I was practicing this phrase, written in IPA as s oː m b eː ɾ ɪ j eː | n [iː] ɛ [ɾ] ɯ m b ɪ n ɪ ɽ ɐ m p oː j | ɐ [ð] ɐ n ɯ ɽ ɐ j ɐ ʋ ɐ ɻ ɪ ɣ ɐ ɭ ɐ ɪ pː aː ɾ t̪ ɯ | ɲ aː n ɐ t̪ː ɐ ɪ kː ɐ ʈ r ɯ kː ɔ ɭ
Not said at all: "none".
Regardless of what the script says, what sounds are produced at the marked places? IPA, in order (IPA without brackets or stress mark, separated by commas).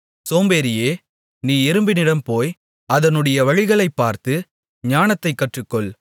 iː, ɾ, ð